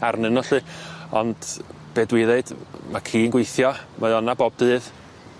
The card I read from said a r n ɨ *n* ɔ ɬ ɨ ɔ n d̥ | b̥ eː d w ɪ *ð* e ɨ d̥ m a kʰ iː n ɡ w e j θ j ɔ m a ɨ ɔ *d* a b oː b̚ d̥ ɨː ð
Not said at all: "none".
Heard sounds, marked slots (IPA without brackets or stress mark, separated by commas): n, ð, n